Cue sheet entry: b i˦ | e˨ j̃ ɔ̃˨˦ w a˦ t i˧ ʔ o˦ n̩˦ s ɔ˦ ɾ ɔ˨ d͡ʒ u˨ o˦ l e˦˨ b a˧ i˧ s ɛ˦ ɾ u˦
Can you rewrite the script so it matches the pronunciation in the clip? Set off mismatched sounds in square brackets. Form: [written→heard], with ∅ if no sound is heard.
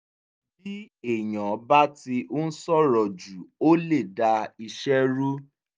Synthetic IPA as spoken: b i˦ | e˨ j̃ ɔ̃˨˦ [w→b] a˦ t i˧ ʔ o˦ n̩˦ s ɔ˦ ɾ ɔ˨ d͡ʒ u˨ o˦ l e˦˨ [b→d] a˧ i˧ [s→ʃ] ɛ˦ ɾ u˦